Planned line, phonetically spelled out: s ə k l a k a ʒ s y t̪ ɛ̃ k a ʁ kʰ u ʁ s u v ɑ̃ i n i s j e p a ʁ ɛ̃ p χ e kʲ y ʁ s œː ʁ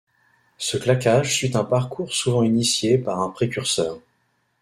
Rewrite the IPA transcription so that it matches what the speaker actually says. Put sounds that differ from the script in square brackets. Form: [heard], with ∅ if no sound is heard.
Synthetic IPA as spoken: s ə k l a k a ʒ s y t̪ ɛ̃ [p] a ʁ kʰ u ʁ s u v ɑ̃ i n i s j e p a ʁ ɛ̃ p χ e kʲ y ʁ s œː ʁ